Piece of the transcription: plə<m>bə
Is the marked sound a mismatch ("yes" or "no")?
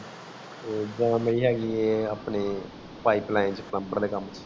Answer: no